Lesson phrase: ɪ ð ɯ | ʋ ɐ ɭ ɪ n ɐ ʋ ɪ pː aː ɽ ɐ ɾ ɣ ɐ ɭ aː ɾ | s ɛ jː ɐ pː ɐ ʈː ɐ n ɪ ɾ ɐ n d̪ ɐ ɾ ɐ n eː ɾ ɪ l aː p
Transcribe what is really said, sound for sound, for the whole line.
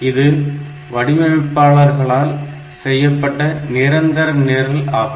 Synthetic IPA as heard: ɪ ð ɯ | ʋ ɐ ɽ ɪ m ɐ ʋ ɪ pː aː ɭ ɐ ɾ ɣ ɐ ɭ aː l | s ɛ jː ɐ pː ɐ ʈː ɐ n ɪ ɾ ɐ n d̪ ɐ ɾ ɐ n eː ɾ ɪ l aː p